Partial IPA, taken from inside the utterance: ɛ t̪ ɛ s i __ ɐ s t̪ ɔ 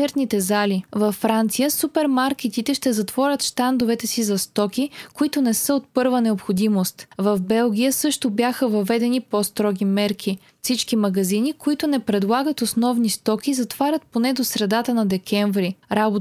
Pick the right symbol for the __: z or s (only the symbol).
z